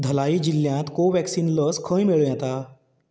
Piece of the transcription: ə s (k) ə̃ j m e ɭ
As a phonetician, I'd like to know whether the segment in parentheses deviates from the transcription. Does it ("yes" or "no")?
yes